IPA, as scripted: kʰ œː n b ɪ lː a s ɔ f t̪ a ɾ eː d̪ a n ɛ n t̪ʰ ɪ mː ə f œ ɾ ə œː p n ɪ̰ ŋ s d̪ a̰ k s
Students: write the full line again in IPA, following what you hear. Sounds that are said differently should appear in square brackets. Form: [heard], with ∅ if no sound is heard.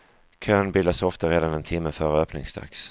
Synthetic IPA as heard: kʰ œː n b ɪ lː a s ɔ f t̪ a ɾ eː d̪ a n ɛ n t̪ʰ ɪ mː ə f œ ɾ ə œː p n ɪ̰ ŋ s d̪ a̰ k s